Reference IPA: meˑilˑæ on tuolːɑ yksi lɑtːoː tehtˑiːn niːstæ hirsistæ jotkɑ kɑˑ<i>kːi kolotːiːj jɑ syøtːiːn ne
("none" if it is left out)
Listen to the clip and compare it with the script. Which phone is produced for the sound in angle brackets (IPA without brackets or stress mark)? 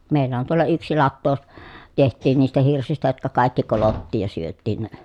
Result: i